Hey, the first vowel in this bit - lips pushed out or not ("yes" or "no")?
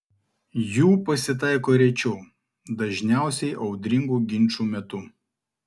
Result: yes